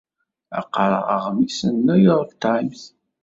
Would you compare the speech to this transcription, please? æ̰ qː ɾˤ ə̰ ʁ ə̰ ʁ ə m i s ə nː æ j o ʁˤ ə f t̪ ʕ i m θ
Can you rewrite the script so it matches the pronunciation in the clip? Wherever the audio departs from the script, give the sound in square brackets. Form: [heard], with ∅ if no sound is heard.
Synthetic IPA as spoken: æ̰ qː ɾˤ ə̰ ʁ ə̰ ʁ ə m i s ə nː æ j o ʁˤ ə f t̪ ʕ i m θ